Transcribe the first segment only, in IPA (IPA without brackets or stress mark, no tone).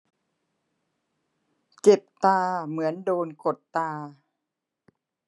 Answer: t͡ɕ